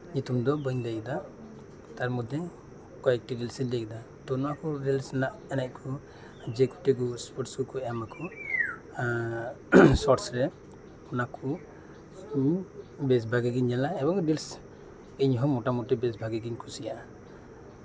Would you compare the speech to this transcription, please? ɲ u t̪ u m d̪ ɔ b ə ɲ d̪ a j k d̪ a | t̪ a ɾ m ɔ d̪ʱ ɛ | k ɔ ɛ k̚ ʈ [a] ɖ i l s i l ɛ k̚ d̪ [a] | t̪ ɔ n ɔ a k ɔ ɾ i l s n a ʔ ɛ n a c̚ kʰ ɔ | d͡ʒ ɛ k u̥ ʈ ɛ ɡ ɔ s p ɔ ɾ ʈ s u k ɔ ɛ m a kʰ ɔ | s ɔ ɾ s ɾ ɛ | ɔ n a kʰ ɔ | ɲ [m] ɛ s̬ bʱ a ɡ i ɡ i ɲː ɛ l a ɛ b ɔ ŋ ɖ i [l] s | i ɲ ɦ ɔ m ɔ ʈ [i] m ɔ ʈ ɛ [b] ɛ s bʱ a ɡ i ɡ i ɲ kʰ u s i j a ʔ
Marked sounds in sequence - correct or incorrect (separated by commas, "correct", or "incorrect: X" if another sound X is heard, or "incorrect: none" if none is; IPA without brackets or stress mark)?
incorrect: i, correct, incorrect: b, correct, incorrect: a, correct